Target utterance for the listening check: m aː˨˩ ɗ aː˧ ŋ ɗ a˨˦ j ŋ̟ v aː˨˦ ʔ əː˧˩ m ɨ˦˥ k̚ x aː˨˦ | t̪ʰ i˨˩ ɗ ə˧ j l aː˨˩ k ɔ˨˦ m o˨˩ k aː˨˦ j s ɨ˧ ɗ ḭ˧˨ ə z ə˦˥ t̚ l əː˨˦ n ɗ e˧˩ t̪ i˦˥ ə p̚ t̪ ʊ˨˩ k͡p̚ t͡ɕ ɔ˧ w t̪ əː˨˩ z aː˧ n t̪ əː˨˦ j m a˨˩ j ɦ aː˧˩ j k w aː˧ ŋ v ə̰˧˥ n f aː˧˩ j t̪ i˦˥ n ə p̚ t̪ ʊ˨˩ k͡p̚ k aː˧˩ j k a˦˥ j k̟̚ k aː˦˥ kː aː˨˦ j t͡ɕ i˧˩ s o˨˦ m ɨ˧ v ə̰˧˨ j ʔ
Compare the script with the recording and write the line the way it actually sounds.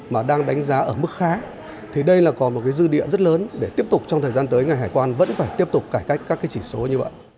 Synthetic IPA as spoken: m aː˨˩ ɗ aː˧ ŋ ɗ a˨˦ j ŋ̟ z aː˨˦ ʔ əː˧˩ m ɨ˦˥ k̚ x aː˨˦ | t̪ʰ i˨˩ ɗ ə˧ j l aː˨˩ k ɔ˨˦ m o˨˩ k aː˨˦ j z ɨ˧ ɗ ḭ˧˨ ə z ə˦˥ t̚ l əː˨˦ n ɗ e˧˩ t̪ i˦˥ ə p̚ t̪ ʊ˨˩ k͡p̚ t͡ɕ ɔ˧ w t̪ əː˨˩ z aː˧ n t̪ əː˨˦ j ŋ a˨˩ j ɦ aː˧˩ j k w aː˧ n v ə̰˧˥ n f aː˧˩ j t̪ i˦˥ ə p̚ t̪ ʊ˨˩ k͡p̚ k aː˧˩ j k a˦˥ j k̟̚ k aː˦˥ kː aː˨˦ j t͡ɕ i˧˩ s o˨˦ ɲ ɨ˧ v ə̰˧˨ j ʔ

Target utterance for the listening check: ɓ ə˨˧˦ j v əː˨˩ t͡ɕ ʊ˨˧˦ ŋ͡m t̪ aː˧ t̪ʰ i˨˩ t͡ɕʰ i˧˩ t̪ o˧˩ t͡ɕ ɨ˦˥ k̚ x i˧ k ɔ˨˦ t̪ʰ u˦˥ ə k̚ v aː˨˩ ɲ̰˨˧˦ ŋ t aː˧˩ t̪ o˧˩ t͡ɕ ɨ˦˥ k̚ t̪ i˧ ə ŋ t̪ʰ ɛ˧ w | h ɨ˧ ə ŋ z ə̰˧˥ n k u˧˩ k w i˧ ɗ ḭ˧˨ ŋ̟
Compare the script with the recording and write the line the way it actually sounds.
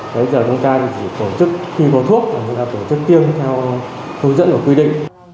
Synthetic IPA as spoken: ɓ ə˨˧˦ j z əː˨˩ t͡ɕ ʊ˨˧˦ ŋ͡m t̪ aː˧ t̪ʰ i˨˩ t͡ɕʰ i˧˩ t̪ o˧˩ t͡ɕ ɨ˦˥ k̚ x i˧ k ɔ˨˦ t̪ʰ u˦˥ ə k̚ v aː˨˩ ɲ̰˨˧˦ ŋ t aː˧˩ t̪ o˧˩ t͡ɕ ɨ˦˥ k̚ t̪ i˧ ə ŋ t̪ʰ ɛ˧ w | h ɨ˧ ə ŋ z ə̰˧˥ n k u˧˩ k w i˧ ɗ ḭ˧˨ ŋ̟

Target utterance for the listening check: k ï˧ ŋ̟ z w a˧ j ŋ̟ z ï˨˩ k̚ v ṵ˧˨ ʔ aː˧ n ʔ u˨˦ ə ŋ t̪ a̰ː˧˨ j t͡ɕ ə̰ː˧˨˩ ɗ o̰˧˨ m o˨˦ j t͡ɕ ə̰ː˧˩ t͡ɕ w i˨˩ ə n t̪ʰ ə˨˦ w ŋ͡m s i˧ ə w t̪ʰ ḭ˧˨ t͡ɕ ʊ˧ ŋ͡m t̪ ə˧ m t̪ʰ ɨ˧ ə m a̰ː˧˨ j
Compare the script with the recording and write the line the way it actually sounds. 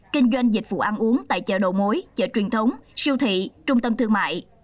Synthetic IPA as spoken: k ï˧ ŋ̟ z w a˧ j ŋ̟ z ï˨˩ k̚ v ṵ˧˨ ʔ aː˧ n ʔ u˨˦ ə ŋ t̪ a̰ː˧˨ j t͡ɕ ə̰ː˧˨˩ ɗ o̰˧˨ m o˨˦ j t͡ɕ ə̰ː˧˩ t͡ɕ w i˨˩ ə n t̪ʰ ə˨˦ w ŋ͡m s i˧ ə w t̪ʰ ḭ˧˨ t͡ɕ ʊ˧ ŋ͡m t̪ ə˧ m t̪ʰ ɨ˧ ə m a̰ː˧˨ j

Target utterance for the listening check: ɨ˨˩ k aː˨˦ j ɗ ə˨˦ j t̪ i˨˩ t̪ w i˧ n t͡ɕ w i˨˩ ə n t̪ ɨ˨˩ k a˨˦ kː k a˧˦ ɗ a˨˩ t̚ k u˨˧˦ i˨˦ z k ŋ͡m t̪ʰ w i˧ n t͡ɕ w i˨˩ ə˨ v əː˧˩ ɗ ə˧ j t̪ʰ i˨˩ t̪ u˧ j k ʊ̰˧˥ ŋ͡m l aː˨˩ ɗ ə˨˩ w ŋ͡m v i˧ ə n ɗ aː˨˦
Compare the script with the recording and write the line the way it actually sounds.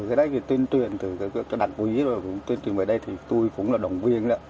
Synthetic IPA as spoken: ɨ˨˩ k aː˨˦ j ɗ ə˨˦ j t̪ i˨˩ t̪ w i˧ n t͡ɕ w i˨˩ ə n t̪ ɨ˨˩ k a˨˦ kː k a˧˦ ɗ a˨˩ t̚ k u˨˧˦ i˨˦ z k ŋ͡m t̪ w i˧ n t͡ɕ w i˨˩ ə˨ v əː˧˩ ɗ ə˧ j t̪ʰ i˨˩ t̪ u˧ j k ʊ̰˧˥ ŋ͡m l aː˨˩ ɗ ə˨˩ w ŋ͡m v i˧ ə n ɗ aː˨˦

